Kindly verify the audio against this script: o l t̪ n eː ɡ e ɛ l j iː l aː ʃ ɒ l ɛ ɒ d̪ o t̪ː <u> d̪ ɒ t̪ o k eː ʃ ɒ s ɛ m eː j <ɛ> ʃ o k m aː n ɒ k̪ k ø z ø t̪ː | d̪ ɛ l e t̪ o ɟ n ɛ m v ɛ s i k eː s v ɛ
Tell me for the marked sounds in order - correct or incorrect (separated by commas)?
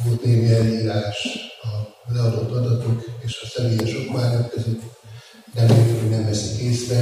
incorrect, correct